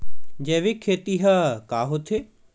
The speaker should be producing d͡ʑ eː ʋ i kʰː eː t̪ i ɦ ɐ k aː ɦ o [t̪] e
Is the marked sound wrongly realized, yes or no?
yes